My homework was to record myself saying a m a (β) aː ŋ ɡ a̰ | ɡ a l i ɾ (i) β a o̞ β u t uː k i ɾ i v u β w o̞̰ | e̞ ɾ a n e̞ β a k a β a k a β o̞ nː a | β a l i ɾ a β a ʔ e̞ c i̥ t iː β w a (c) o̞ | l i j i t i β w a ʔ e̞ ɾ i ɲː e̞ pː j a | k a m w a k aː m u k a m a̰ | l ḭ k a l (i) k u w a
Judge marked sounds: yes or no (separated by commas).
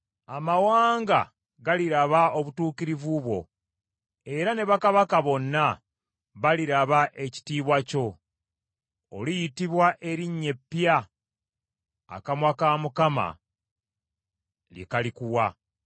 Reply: no, no, yes, yes